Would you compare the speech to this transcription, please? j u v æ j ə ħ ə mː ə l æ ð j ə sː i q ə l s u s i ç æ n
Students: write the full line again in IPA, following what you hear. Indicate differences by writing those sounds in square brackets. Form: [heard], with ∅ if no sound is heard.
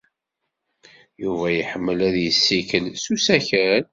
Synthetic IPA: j u v æ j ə ħ ə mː ə l æ ð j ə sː i [k] ə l s u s [æ] ç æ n

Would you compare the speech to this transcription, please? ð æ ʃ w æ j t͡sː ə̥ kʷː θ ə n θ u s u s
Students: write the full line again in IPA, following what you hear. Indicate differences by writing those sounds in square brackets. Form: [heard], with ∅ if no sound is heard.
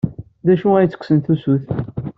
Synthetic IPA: ð æ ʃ [u] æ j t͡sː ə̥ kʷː [s] ə n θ u s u [θ]

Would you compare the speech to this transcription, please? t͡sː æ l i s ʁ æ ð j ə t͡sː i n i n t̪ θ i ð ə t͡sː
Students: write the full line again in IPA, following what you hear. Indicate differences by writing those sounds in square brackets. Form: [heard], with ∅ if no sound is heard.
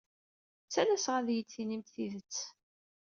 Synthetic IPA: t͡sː æ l [æ] s ʁ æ ð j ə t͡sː i n i [m] t̪ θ i ð ə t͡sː

